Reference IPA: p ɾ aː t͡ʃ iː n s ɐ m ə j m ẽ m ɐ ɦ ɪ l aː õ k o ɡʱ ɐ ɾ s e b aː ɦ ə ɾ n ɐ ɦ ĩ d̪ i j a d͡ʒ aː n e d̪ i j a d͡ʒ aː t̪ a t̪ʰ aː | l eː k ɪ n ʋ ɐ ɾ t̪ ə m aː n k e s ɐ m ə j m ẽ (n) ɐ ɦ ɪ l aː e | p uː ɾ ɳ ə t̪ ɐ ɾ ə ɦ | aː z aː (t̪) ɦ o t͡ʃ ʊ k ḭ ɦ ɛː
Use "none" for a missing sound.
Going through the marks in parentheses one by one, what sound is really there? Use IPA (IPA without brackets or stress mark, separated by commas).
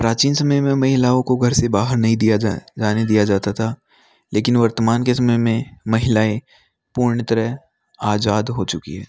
m, d̪